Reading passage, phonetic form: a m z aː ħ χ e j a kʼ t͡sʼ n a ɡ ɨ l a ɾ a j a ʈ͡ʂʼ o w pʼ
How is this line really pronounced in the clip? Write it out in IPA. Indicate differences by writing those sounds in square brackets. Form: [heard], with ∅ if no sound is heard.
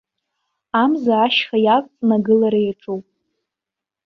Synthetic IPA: a m z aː [ʃ] χ [a] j a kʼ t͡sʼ n a ɡ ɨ l a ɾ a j a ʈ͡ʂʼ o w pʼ